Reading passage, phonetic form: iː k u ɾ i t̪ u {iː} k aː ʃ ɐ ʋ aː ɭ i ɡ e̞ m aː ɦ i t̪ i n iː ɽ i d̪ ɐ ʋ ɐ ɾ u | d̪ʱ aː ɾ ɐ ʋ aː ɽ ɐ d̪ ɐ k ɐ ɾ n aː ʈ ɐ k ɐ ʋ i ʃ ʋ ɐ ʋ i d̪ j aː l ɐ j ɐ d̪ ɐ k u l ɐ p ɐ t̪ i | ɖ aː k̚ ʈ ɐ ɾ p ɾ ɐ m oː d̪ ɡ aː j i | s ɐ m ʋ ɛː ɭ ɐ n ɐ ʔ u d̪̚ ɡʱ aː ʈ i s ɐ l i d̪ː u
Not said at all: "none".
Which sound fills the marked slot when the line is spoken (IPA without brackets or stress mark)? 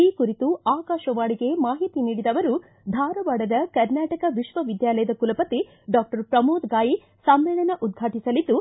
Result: aː